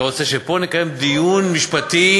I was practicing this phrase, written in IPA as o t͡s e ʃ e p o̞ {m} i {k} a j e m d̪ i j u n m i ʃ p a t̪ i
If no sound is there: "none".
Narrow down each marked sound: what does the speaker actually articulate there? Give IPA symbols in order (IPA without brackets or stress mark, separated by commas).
n, k